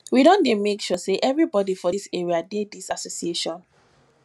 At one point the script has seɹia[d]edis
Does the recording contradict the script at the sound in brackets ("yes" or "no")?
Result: no